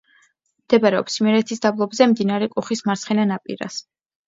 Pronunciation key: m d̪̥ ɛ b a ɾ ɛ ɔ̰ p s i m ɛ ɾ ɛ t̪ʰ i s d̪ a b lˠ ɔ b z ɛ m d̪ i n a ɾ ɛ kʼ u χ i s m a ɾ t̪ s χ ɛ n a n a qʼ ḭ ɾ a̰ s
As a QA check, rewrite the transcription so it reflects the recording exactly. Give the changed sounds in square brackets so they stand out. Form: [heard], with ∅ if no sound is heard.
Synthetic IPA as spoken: m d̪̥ ɛ b a ɾ ɛ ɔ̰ p s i m ɛ ɾ ɛ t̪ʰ i s d̪ a b lˠ ɔ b z ɛ m d̪ i n a ɾ ɛ kʼ u χ i s m a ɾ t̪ s χ ɛ n a n a [pʼ] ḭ ɾ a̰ s